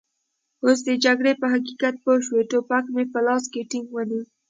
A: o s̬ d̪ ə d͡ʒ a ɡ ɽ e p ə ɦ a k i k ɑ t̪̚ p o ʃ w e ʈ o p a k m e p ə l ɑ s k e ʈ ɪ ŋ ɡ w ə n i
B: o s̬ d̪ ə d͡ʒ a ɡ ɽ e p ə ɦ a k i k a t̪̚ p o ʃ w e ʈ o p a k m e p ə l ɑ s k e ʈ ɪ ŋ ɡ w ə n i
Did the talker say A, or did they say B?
B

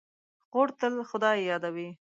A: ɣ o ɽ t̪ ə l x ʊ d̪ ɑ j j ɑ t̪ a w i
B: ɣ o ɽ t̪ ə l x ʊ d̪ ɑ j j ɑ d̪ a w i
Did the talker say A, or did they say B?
B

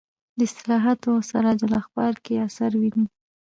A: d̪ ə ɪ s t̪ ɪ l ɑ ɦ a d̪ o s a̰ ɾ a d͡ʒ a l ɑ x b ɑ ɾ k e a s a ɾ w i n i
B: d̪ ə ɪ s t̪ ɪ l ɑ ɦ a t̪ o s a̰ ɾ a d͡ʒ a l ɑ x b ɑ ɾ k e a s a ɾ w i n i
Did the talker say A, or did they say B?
B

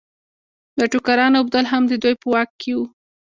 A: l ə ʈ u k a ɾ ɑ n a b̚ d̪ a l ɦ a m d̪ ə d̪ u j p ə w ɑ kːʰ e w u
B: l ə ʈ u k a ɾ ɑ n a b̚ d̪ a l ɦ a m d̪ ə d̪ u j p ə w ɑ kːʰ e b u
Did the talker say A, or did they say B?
A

